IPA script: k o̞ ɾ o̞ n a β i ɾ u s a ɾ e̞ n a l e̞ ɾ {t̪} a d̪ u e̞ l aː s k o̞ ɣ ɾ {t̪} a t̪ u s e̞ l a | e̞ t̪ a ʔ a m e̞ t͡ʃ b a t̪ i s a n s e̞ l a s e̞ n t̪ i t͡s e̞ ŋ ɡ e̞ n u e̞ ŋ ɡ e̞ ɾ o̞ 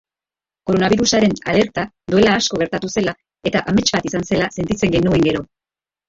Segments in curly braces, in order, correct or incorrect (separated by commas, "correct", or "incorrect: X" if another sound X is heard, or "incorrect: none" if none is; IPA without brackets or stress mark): correct, correct